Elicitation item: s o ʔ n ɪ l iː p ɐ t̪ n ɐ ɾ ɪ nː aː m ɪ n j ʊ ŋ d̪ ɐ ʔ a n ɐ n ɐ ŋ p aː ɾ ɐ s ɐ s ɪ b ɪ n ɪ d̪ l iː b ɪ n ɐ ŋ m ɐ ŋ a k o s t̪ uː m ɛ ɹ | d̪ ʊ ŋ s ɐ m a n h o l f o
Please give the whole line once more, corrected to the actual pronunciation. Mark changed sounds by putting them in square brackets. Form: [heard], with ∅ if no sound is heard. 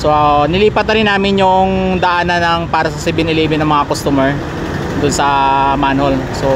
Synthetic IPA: s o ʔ n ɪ l iː p ɐ t̪ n ɐ ɾ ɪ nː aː m ɪ n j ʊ ŋ d̪ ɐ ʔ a n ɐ n ɐ ŋ p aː ɾ ɐ s ɐ s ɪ b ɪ n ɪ [∅] l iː b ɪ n ɐ ŋ m ɐ ŋ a k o s t̪ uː m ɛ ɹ | d̪ ʊ [n] s ɐ m a n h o l [s] o